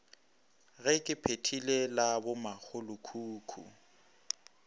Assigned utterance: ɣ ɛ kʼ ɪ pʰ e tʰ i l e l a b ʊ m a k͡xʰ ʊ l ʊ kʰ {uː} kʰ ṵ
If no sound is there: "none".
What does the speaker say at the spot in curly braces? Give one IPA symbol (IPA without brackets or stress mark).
uː